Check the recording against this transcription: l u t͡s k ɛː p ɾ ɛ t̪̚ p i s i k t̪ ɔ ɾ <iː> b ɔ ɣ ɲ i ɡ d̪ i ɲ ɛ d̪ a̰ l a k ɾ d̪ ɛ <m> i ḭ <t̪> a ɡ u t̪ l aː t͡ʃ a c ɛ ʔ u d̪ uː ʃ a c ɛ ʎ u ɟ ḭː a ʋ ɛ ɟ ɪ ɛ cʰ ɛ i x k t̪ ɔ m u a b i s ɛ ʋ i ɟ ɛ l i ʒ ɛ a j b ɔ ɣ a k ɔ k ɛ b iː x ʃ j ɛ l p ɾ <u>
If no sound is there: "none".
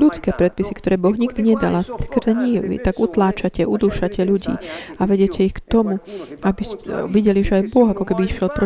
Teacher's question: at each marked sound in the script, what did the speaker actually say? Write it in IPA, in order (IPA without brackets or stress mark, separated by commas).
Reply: ɛː, ɲ, t̪, ɔ